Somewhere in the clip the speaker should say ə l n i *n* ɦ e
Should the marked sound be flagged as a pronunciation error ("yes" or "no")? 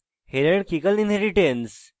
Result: no